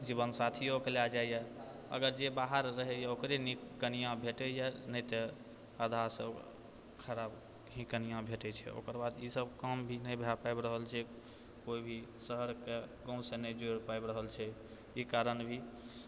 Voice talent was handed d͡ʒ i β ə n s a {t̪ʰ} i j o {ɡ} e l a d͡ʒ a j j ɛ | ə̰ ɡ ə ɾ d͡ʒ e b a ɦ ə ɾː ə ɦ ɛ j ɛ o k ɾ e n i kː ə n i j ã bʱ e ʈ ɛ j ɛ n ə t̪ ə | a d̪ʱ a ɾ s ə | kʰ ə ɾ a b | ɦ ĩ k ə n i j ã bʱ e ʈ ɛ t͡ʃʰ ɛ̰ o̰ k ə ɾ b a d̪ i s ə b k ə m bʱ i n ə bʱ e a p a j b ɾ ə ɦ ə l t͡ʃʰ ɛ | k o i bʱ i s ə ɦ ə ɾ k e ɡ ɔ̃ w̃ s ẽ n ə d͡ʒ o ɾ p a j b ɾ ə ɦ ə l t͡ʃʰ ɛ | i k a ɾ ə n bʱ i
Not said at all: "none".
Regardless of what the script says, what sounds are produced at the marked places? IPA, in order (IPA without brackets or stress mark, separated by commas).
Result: t̪ʰ, k